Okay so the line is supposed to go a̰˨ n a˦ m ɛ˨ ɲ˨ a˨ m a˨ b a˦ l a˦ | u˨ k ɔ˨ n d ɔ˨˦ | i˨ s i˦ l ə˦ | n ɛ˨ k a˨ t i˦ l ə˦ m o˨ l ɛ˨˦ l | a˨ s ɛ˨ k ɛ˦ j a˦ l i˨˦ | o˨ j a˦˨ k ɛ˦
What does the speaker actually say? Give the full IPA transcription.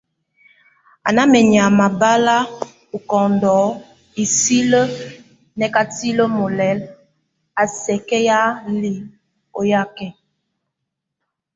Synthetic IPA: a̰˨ n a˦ m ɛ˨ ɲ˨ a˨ m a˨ b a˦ l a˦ | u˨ k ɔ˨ n d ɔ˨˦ | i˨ s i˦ l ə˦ | n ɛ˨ k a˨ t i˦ l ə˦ m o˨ l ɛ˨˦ l | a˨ s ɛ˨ k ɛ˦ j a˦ l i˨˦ | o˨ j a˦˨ k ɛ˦